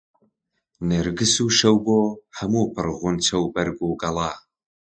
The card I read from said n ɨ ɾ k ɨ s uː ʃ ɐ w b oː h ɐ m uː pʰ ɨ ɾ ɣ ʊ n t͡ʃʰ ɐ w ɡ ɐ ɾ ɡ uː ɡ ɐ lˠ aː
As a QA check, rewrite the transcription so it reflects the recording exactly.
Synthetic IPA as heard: n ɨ ɾ ɡ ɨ s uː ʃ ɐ w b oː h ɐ m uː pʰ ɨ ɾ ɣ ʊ n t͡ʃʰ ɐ w b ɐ ɾ ɡ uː ɡ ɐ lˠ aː

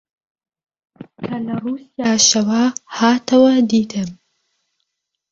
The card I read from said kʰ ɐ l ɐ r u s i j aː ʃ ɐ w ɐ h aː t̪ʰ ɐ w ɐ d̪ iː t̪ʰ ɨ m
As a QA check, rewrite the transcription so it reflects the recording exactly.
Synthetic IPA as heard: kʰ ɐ l ɐ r u s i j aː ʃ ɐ w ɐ h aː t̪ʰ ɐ w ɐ d̪ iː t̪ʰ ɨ m

